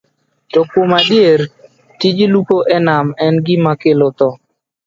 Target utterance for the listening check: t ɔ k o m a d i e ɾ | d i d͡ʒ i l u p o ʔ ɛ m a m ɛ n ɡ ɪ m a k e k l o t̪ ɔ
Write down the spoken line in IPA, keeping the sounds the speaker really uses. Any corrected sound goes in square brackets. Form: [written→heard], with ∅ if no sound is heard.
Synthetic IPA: t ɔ k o m a d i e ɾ | [d→t] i d͡ʒ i l u p o ʔ ɛ [m→n] a m ɛ n ɡ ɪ m a k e [k→∅] l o t̪ ɔ